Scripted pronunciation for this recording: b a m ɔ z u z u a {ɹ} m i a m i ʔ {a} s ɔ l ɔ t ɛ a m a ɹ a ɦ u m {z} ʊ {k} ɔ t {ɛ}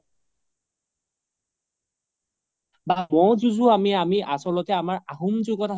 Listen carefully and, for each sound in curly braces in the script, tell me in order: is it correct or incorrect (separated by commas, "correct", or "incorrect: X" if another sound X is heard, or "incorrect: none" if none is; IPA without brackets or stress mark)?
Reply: incorrect: none, correct, correct, incorrect: ɡ, incorrect: a